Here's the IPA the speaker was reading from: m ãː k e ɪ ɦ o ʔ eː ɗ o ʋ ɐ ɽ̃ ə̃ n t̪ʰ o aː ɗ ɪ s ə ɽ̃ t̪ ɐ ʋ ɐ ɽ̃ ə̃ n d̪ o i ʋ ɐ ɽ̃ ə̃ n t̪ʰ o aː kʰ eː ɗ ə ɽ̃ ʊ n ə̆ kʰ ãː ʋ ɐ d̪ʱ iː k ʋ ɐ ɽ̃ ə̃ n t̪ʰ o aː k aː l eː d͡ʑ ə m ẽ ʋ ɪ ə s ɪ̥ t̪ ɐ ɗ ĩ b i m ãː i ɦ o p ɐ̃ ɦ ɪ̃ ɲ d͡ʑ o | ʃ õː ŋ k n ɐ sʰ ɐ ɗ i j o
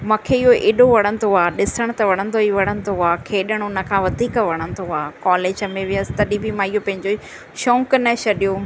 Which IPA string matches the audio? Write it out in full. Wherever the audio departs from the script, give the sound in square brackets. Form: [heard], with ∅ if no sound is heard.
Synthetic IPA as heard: m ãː [kʰ] e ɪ ɦ o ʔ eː ɗ o ʋ ɐ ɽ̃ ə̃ n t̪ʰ o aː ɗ ɪ s ə ɽ̃ t̪ ɐ ʋ ɐ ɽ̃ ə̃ n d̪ o i ʋ ɐ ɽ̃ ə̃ n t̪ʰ o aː kʰ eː ɗ ə ɽ̃ ʊ n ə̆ kʰ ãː ʋ ɐ d̪ʱ iː k ʋ ɐ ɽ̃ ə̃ n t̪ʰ o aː k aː l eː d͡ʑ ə m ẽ ʋ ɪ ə s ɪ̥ t̪ ɐ ɗ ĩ b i m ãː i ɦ o p ɐ̃ ɦ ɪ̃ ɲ d͡ʑ o | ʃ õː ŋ k n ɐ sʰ ɐ ɗ i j o